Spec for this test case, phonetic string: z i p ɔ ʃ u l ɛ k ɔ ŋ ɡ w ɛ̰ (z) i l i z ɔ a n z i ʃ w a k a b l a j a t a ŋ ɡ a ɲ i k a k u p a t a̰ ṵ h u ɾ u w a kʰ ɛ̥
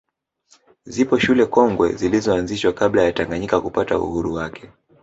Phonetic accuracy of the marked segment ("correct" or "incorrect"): correct